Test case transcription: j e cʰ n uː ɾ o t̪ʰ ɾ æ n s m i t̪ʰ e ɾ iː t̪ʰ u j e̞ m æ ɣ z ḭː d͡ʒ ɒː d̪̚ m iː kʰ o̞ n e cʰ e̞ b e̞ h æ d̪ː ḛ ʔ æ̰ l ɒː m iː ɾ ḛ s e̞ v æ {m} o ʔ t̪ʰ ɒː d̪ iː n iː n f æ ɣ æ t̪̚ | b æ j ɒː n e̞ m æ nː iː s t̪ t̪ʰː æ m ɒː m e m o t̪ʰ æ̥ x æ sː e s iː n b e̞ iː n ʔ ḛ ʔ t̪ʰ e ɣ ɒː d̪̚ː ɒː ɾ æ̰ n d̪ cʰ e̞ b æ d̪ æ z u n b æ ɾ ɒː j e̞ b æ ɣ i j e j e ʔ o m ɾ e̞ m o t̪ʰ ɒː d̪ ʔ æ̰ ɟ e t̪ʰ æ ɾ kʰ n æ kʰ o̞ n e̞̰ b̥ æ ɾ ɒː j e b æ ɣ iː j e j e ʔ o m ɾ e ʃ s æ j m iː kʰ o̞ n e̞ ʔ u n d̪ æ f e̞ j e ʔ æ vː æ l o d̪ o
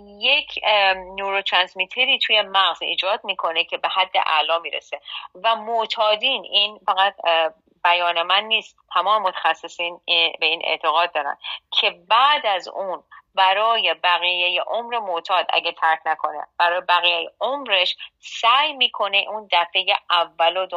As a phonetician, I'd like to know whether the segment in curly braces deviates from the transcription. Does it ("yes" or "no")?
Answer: no